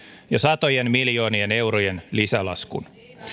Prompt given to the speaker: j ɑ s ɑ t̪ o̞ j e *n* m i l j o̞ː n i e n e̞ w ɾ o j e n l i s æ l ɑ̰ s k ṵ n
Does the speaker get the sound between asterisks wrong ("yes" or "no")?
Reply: no